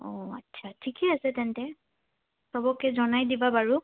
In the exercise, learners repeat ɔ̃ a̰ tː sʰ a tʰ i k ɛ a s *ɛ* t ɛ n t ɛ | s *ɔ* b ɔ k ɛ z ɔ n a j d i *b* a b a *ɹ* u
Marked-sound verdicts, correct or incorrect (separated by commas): correct, correct, correct, correct